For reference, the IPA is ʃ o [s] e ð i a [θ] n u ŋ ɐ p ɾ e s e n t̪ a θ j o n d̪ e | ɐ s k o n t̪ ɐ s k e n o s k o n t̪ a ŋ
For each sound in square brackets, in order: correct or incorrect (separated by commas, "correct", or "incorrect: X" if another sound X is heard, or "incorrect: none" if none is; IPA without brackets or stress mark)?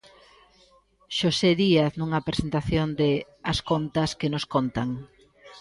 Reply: correct, correct